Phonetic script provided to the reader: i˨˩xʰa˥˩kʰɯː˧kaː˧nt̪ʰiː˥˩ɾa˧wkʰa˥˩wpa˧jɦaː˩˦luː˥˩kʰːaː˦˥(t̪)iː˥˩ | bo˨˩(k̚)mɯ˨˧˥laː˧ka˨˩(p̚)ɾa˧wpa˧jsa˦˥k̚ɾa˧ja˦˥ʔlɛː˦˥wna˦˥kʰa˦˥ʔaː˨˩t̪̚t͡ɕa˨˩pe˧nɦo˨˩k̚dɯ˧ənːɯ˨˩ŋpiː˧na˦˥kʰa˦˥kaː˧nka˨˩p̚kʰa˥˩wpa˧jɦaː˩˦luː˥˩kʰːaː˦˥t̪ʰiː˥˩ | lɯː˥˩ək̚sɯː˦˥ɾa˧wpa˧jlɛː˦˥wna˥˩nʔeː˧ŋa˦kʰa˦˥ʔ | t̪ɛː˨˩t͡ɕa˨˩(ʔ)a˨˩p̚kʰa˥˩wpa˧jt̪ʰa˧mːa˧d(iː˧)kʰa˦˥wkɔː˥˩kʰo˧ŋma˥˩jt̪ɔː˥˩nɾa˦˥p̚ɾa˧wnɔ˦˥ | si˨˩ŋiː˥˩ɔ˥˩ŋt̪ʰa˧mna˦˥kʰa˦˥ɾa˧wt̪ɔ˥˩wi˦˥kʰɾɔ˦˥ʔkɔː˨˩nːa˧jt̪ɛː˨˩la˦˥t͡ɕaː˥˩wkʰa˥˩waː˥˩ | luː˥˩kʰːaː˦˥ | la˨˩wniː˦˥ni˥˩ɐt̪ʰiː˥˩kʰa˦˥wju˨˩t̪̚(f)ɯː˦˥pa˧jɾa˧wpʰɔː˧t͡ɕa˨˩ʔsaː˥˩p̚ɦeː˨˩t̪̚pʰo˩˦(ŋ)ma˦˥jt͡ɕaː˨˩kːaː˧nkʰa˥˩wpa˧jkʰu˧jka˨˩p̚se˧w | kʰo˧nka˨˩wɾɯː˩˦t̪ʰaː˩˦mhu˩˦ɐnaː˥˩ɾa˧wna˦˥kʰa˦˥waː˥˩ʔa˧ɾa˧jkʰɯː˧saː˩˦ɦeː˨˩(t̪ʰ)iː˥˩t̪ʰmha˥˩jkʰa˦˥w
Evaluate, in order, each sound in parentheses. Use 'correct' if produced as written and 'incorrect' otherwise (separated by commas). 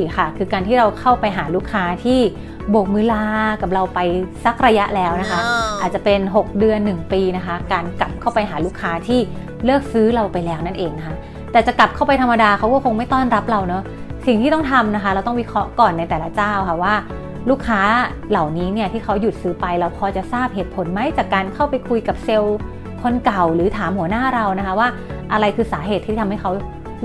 incorrect, correct, correct, incorrect, incorrect, incorrect, incorrect, correct